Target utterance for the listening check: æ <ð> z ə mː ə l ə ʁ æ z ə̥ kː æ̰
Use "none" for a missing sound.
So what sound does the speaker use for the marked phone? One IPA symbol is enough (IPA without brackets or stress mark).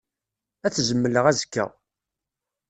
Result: θ